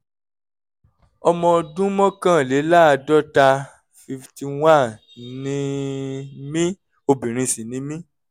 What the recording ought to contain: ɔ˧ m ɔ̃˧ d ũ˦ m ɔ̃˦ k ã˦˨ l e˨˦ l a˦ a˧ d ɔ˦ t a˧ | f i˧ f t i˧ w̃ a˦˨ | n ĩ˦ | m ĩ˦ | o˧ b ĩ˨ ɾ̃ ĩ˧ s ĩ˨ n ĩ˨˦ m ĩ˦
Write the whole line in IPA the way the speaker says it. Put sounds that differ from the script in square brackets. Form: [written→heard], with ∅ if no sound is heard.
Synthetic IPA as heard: ɔ˧ m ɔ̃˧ d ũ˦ m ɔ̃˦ k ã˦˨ l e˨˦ l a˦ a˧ d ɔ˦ t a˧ | f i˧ f t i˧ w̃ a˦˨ | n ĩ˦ | m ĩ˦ | o˧ b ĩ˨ ɾ̃ ĩ˧ s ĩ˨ n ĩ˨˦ m ĩ˦